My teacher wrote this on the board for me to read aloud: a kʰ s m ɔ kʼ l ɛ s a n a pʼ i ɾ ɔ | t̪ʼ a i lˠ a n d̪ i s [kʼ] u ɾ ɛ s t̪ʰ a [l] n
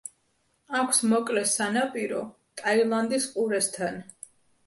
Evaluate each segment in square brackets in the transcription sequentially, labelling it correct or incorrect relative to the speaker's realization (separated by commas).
incorrect, incorrect